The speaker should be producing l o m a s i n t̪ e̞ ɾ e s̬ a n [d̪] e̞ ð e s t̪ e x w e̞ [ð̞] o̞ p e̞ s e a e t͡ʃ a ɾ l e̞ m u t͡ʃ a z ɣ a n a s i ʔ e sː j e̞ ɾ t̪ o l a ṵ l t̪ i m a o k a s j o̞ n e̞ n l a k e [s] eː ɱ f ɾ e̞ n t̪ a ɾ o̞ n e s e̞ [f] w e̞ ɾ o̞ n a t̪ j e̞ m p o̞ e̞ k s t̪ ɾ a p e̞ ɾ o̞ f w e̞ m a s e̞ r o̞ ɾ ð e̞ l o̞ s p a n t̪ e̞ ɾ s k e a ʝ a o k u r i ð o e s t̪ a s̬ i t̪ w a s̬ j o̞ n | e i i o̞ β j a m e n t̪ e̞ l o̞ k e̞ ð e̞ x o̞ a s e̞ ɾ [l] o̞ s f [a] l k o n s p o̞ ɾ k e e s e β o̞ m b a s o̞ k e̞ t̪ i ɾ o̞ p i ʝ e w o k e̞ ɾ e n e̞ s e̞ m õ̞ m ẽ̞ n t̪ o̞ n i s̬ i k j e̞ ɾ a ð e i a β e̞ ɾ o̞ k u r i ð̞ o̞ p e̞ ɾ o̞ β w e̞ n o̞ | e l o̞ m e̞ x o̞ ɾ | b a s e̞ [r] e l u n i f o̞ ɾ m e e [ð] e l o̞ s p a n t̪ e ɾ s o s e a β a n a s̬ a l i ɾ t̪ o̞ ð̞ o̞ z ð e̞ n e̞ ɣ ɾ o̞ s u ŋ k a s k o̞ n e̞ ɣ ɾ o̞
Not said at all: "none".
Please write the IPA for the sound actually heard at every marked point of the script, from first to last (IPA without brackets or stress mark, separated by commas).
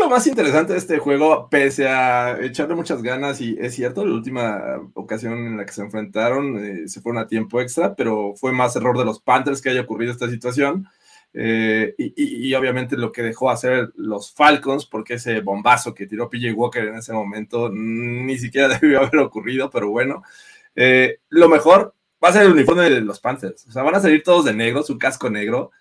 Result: t̪, ɣ̞, s, f, l, a, ɾ, ð